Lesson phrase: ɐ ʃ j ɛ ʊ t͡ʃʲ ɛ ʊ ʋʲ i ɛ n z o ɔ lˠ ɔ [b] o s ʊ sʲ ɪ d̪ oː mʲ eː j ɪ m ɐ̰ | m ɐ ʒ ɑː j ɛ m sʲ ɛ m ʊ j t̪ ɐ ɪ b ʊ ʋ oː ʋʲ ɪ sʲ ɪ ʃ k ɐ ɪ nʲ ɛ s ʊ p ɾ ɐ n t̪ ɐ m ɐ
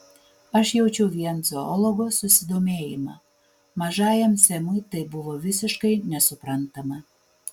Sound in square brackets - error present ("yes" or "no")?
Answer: yes